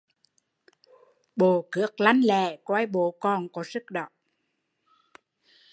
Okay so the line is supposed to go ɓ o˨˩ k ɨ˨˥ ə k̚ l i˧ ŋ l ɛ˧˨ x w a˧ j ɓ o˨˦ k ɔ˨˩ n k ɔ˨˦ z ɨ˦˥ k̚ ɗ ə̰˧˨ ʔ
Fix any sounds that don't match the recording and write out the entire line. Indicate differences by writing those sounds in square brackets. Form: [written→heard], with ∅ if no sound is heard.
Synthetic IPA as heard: ɓ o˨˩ k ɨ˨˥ ə k̚ l [i˧→a˧] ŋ l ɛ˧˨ [x→k] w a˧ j ɓ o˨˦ k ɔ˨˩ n k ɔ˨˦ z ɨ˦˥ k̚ ɗ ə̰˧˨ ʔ